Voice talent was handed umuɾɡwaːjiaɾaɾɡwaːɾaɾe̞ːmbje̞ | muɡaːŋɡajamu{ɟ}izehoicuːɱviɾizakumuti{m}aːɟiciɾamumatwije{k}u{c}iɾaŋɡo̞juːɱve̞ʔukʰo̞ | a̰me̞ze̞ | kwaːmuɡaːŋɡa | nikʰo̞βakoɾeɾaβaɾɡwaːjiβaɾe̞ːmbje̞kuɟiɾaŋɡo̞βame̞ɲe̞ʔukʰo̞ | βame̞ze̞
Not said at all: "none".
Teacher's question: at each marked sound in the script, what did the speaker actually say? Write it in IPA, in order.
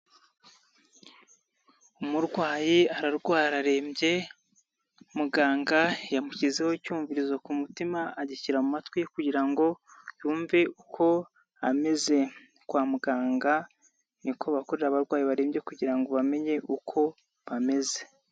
c, m, k, ɟ

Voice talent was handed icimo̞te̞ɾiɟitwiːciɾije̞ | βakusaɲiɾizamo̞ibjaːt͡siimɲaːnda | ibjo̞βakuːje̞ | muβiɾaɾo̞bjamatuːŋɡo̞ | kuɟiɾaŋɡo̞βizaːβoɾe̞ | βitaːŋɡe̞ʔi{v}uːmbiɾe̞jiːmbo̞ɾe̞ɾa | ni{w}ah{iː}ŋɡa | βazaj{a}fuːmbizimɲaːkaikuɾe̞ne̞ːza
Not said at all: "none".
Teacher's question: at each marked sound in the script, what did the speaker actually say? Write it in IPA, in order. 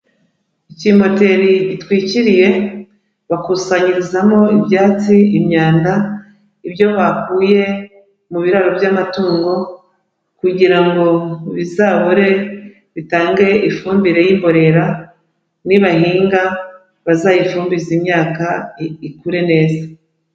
f, β, iː, i

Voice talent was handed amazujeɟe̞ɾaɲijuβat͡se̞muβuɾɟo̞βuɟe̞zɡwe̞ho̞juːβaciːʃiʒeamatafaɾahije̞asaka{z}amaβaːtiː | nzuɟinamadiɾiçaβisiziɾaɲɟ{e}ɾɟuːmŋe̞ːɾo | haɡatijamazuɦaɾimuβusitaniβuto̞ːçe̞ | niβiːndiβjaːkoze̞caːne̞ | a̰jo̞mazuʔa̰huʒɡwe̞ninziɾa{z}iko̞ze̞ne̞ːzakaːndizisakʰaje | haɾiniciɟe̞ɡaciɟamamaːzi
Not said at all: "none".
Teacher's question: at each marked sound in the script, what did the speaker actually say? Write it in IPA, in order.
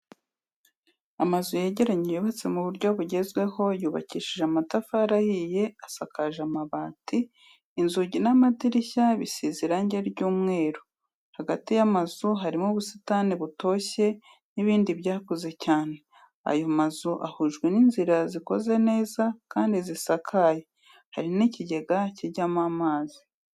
ʒ, e, z

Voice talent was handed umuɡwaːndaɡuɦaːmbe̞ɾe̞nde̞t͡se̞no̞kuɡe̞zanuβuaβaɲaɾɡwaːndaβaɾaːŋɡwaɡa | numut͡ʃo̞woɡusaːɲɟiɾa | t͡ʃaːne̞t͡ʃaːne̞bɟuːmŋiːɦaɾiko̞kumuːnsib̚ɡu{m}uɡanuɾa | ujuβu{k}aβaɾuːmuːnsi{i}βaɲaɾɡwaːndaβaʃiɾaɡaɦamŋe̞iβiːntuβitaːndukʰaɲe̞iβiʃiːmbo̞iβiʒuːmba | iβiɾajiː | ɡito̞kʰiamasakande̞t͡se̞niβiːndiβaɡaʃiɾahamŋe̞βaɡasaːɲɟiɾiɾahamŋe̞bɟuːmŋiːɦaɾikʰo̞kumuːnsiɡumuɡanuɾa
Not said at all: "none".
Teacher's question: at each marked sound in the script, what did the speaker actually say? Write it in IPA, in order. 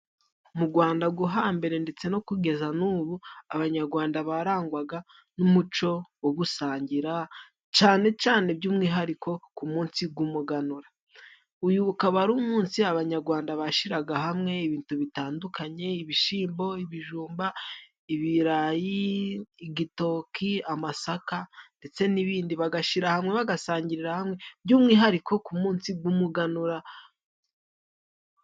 m, k, a

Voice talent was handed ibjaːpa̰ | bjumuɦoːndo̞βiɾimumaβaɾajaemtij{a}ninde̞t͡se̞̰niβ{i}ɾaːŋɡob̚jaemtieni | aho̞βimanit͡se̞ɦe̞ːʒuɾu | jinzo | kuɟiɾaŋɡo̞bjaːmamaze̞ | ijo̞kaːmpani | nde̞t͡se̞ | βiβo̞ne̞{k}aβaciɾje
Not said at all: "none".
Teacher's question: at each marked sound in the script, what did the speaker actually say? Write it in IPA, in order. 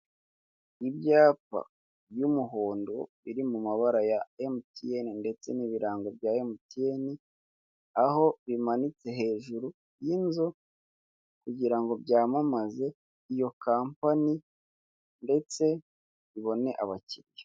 e, i, ʔ

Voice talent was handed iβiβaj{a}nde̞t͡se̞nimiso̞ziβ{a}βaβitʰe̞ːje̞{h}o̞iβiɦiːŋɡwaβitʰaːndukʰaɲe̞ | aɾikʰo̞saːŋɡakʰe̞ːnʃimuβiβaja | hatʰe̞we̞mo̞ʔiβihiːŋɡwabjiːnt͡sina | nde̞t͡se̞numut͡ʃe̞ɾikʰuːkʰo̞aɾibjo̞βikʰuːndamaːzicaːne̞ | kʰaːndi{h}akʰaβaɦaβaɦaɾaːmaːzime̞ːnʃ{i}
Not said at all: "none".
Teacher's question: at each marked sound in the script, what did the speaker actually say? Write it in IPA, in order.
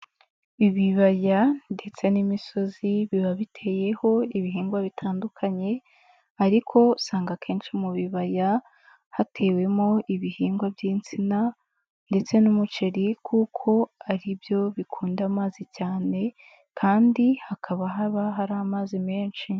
a, i, h, h, i

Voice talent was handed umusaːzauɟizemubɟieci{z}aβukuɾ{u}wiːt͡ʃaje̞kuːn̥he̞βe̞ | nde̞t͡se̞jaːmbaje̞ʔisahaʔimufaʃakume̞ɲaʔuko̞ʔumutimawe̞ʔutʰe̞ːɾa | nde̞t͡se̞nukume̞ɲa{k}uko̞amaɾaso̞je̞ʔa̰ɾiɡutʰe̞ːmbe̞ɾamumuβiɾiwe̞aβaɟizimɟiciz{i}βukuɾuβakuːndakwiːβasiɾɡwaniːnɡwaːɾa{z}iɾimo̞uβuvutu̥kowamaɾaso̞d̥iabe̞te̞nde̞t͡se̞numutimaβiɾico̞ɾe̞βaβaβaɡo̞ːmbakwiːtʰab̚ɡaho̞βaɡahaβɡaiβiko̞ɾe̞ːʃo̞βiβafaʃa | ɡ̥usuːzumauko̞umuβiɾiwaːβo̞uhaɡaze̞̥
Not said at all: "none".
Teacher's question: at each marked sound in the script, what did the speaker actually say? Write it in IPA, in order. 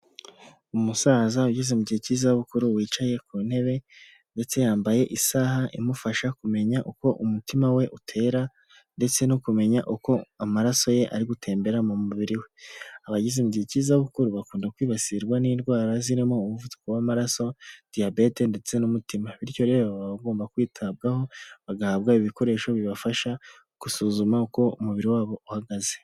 z, u, ʔ, a, z

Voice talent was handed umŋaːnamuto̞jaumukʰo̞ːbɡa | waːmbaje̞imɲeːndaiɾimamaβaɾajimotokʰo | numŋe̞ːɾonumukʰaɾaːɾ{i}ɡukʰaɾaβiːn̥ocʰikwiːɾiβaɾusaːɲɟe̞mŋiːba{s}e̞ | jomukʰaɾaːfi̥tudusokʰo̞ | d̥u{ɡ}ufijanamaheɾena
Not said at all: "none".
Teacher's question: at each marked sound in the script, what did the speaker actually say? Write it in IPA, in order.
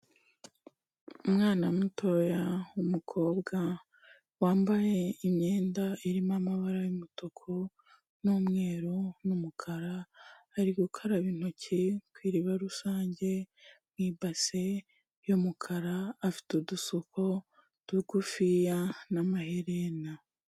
i, s, ɡ

